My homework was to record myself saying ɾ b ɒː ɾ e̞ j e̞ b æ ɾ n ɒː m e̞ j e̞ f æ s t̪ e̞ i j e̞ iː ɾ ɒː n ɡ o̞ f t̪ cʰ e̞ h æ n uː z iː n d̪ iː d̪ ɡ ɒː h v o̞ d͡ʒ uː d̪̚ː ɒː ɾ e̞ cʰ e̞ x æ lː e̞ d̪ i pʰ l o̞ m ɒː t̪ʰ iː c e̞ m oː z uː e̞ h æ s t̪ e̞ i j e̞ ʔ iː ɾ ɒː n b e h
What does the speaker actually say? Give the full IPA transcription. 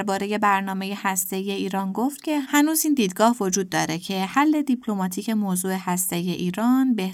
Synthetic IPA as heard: ɾ b ɒː ɾ e̞ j e̞ b æ ɾ n ɒː m e̞ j e̞ h æ s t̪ e̞ i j e̞ iː ɾ ɒː n ɡ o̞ f t̪ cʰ e̞ h æ n uː z iː n d̪ iː d̪ ɡ ɒː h v o̞ d͡ʒ uː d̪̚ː ɒː ɾ e̞ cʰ e̞ h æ lː e̞ d̪ i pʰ l o̞ m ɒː t̪ʰ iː c e̞ m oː z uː e̞ h æ s t̪ e̞ i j e̞ ʔ iː ɾ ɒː n b e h